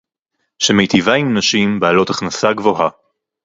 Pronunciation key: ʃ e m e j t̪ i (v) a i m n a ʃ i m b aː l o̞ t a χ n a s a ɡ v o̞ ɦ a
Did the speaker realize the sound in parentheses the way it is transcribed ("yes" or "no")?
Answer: yes